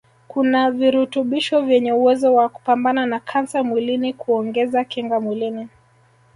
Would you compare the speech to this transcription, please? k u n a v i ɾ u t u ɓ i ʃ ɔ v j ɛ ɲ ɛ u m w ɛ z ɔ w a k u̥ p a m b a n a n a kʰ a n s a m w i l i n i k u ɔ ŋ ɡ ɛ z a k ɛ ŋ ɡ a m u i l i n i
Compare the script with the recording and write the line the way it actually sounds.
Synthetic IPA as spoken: k u n a v i ɾ u t u ɓ i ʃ ɔ v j ɛ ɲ ɛ u w ɛ z ɔ w a k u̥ p a m b a n a n a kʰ a n s a m w i l i n i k u ɔ ŋ ɡ ɛ z a k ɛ ŋ ɡ a m w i l i n i